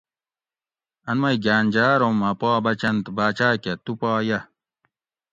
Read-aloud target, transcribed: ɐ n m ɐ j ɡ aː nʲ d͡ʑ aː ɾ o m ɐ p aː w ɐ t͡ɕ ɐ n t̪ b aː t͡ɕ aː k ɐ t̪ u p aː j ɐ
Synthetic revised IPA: ɐ n m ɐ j ɡ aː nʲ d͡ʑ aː ɾ o m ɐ p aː b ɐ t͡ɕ ɐ n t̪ b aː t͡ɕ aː k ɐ t̪ u p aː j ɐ